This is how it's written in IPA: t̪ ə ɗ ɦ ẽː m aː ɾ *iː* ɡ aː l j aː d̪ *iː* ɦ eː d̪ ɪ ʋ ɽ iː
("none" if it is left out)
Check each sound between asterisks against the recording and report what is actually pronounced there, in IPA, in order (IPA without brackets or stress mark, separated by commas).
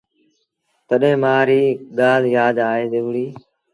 iː, aː